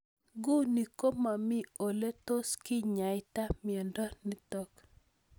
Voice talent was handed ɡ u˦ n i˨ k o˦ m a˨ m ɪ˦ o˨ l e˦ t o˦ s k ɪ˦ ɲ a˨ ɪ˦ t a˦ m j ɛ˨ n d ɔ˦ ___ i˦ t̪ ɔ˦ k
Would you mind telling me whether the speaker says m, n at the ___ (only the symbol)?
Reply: n